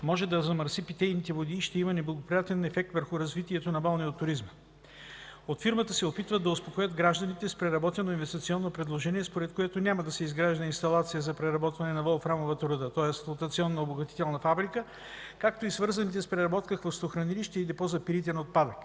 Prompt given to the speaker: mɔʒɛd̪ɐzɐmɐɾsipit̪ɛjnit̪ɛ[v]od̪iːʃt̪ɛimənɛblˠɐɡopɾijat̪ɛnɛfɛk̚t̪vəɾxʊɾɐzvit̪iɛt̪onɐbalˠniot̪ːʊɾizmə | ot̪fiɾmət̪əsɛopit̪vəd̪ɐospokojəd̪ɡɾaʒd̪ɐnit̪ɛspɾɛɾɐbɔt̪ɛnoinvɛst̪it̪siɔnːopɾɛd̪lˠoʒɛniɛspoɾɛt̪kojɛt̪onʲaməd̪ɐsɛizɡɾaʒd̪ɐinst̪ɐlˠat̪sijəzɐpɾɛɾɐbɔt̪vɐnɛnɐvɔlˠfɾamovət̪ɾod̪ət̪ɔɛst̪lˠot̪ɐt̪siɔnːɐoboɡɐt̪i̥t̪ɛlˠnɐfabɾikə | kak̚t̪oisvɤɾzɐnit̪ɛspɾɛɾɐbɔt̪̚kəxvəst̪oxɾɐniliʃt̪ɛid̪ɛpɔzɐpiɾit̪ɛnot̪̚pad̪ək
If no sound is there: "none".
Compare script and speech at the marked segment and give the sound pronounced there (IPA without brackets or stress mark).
v